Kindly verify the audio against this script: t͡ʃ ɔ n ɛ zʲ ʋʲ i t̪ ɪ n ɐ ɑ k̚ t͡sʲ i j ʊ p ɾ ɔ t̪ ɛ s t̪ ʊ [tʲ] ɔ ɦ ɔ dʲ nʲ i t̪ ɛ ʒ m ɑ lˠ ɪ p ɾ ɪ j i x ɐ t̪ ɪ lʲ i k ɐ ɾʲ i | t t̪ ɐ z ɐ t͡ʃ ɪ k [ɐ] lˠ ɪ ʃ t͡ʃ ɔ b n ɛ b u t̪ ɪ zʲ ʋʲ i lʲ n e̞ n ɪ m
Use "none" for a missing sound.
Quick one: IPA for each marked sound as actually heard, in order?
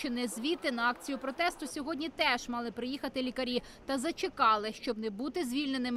sʲ, ɑ

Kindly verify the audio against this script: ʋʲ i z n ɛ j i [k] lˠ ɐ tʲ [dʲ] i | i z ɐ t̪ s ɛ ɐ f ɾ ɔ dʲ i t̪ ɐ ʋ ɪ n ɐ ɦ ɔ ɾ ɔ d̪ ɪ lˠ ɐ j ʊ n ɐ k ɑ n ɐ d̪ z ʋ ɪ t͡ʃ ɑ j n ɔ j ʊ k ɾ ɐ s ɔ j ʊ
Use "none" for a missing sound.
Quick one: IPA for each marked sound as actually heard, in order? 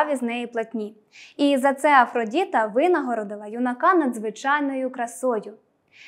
p, nʲ

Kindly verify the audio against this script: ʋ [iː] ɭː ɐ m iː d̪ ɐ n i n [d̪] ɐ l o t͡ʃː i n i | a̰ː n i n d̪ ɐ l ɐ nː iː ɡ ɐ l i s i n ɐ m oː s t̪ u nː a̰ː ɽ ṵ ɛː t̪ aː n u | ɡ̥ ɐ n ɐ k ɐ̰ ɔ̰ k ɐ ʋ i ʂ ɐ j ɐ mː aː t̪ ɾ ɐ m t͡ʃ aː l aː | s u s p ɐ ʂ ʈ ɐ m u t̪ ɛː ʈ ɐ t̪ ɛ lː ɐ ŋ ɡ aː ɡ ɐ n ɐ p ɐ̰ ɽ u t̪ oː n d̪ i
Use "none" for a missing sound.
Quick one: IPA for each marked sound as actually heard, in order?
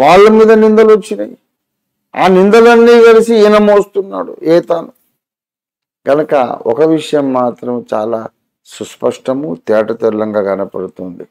aː, d̪

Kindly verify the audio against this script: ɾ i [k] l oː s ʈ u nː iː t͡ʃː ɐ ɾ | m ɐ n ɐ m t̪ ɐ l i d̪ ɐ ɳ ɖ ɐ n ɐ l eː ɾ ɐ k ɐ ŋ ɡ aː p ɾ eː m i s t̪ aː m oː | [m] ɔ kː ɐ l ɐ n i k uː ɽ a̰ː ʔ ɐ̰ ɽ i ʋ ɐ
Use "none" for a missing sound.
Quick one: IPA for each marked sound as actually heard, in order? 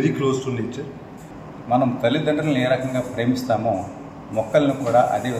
k, m

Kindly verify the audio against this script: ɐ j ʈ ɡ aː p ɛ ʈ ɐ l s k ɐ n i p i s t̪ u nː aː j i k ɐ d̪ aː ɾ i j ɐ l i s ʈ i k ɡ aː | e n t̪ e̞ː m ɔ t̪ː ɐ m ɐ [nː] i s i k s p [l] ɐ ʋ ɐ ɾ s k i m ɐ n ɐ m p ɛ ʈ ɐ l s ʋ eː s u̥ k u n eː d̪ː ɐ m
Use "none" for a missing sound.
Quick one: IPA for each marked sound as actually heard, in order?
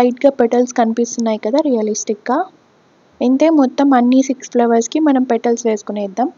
nː, l

